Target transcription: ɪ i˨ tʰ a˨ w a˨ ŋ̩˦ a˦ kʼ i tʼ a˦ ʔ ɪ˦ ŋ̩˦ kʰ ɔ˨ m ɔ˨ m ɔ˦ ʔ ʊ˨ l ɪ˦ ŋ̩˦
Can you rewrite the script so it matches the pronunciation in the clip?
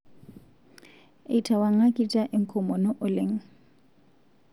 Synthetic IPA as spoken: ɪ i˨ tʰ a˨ w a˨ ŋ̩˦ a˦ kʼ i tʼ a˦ ʔ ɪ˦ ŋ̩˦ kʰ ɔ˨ m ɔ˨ n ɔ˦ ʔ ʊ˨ l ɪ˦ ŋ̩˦